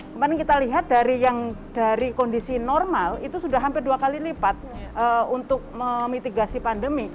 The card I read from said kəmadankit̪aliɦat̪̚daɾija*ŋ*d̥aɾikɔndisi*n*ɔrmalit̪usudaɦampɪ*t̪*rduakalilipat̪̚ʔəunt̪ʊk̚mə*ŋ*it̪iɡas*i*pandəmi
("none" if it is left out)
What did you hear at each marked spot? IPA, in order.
ŋ, n, none, m, i

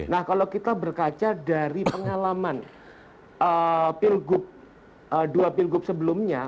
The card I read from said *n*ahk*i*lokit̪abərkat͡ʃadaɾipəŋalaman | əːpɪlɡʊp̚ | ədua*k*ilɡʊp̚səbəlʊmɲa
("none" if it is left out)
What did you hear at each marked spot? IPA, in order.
n, a, p

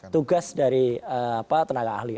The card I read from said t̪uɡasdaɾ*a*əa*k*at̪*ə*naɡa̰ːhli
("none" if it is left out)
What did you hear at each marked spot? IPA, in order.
i, p, ə

